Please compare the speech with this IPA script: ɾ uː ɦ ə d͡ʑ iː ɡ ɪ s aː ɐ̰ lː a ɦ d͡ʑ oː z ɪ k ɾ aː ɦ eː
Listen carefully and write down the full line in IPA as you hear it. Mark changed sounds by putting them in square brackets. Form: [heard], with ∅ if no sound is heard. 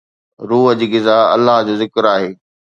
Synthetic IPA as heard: ɾ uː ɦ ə d͡ʑ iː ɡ ɪ [z] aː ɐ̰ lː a ɦ d͡ʑ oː z ɪ k ɾ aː ɦ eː